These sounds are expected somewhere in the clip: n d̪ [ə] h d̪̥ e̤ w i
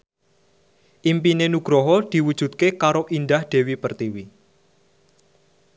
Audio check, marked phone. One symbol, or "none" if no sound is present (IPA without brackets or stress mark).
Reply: a